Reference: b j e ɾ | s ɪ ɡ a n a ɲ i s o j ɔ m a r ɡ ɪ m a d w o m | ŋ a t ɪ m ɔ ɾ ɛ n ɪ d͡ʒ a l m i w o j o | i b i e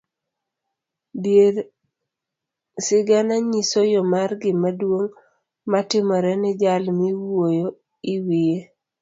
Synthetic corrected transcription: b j e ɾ | s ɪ ɡ a n a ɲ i s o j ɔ m a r ɡ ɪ m a d w o ŋ | m a t ɪ m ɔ ɾ ɛ n ɪ d͡ʒ a l m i w o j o | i w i e